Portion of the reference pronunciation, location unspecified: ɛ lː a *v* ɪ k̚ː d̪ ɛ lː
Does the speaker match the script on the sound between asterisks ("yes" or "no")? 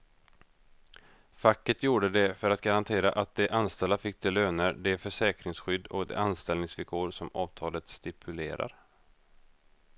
no